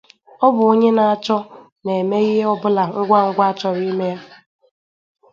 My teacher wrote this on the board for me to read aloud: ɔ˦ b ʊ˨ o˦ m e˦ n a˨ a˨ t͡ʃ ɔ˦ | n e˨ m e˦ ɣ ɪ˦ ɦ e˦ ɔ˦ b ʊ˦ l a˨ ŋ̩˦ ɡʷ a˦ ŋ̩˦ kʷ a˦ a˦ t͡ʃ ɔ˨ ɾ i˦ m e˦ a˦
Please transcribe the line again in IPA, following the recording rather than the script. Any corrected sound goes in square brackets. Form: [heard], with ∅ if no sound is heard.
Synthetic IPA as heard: ɔ˦ b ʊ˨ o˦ [ɲ] e˦ n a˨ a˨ t͡ʃ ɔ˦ | n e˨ m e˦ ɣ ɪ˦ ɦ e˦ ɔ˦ b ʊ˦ l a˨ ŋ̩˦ ɡʷ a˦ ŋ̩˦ [ɡʷ] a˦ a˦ t͡ʃ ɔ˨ ɾ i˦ m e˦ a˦